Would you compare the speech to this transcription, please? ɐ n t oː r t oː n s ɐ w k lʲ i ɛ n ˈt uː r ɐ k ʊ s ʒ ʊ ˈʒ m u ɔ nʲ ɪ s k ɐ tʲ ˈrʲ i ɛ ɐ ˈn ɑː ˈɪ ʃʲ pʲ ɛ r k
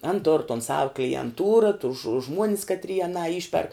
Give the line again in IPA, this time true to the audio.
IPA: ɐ n t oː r t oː n s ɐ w k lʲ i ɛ n ˈt uː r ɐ t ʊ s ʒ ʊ ˈʒ m u ɔ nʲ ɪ s k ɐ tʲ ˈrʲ i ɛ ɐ ˈn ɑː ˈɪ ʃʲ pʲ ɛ r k